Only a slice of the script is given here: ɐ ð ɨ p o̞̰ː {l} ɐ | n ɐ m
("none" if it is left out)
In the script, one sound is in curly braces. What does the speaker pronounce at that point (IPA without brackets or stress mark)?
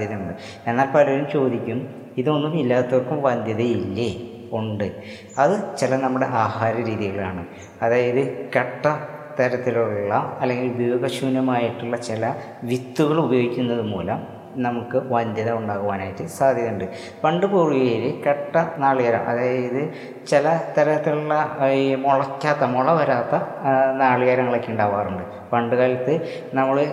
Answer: l